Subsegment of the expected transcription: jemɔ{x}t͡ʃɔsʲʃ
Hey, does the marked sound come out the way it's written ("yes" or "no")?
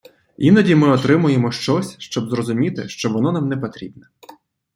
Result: no